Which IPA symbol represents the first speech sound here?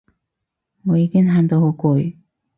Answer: ŋ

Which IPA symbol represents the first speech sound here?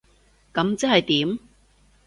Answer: k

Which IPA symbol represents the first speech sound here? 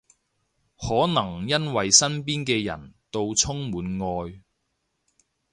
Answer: h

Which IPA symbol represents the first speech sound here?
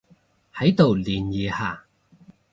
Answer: h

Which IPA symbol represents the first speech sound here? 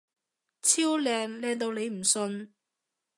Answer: t͡sʰ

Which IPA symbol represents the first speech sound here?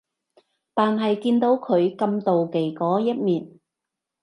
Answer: t̪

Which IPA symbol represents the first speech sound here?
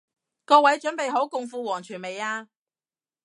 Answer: k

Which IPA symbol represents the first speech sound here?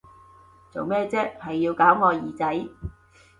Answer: t͡s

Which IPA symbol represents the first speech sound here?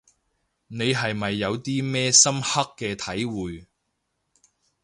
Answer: n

